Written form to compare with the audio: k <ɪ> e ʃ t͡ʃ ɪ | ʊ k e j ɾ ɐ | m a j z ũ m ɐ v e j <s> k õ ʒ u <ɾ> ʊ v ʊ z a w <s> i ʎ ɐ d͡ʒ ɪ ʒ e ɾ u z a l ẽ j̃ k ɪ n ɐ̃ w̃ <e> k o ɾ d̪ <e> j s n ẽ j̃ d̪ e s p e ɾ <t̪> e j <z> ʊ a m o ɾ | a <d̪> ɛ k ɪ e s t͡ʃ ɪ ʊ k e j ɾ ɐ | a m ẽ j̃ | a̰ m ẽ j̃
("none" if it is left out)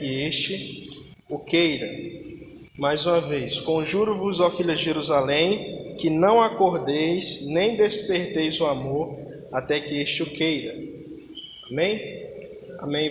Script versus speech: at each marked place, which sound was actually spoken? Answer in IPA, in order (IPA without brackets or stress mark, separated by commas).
ɪ, s, ɾ, f, a, e, t̪, z, t̪